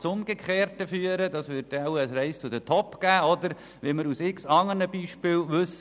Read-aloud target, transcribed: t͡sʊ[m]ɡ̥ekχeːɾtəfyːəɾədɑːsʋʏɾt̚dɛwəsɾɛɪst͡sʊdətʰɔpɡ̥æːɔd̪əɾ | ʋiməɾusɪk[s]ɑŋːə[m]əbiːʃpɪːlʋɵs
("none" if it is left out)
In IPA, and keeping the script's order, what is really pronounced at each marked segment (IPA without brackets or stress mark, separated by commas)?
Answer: m, s, n